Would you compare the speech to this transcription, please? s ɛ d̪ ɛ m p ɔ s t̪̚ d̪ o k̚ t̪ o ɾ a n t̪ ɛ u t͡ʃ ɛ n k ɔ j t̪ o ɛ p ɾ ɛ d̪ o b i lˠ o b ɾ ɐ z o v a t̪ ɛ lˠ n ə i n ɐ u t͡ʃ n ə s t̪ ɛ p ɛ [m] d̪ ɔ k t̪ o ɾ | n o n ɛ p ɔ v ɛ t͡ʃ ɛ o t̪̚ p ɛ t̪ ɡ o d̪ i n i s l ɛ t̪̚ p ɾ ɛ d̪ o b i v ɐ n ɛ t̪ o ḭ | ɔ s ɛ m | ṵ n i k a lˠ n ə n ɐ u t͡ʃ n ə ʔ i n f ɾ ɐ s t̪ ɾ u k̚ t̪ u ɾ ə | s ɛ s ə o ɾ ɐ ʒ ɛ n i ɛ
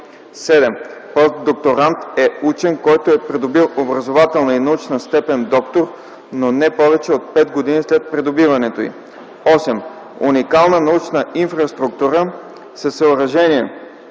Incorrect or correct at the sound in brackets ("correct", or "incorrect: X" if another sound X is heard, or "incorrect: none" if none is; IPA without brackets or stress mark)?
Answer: incorrect: n